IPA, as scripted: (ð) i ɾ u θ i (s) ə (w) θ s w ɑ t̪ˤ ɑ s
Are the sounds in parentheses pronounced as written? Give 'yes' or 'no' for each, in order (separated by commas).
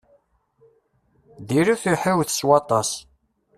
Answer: yes, no, yes